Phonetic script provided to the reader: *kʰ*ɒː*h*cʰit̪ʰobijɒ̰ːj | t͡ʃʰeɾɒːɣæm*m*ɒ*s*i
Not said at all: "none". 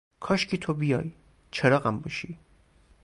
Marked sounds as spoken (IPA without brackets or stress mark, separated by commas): kʰ, ʃ, b, ʃ